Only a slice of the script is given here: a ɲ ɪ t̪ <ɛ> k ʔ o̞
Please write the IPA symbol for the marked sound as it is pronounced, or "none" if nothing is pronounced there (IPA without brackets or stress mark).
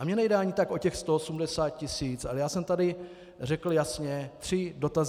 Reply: a